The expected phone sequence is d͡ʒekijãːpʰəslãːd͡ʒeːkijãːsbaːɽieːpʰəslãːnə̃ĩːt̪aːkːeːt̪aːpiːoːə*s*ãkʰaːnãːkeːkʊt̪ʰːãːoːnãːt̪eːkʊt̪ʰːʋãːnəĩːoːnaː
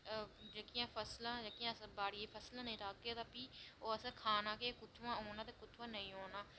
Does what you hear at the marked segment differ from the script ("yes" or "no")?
no